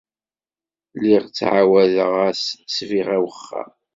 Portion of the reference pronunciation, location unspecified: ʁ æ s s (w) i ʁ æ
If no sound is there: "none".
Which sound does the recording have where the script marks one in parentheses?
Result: v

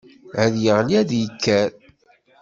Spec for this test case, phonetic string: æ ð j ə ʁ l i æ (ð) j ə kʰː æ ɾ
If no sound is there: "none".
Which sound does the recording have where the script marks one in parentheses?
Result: ð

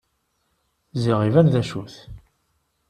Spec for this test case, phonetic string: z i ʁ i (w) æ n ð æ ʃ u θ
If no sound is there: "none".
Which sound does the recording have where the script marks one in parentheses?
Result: v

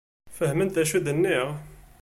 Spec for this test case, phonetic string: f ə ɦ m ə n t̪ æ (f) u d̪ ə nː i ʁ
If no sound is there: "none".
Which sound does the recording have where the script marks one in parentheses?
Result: ʃ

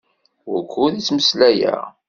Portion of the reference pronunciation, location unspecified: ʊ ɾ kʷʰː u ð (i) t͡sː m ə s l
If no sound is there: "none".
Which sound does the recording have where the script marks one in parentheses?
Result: i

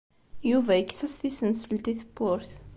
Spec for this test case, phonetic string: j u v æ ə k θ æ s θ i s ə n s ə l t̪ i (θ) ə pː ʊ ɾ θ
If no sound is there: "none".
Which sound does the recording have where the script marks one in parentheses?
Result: θ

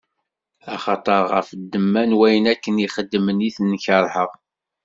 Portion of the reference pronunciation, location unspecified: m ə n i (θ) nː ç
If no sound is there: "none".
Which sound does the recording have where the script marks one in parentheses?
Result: θ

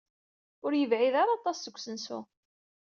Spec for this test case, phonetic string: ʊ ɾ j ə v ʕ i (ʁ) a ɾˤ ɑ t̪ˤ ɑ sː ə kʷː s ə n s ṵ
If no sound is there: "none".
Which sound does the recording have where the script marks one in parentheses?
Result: ð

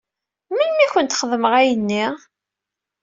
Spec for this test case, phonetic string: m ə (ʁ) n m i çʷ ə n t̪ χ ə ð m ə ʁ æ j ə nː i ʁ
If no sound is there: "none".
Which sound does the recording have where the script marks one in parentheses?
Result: none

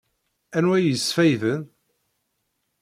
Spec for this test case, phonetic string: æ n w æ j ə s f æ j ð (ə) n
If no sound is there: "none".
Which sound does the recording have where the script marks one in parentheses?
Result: ə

